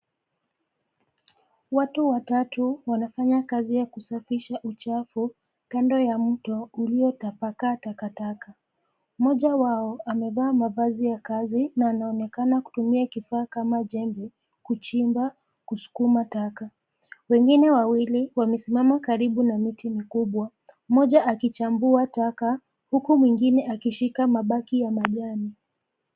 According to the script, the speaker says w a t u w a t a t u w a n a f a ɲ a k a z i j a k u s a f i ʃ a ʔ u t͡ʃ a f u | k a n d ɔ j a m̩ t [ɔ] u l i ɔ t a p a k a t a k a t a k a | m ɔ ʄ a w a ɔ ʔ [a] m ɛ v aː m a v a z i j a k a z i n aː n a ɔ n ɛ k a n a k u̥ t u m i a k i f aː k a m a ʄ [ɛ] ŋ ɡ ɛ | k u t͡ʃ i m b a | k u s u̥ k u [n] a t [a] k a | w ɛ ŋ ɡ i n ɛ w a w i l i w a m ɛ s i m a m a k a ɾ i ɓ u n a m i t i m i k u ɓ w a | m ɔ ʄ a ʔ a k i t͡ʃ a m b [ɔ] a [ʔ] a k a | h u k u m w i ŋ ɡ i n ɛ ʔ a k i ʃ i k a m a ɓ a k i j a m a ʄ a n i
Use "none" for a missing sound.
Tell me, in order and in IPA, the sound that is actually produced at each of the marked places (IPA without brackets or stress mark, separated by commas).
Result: ɔ, a, ɛ, m, a, u, t